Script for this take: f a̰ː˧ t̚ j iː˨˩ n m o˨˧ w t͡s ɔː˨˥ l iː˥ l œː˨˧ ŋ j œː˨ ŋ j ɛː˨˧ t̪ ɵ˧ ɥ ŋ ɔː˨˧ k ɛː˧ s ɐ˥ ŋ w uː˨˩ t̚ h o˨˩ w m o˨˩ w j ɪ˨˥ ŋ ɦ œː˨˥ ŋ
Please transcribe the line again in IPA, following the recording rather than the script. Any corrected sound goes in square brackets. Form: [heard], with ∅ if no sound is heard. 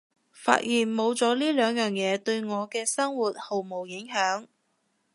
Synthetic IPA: f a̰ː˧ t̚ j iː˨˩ n m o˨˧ w t͡s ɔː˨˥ l iː˥ l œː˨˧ ŋ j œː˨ ŋ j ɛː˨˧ t̪ ɵ˧ ɥ ŋ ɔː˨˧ k ɛː˧ s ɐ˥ ŋ w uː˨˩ t̚ h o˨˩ w m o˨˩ w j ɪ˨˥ ŋ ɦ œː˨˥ ŋ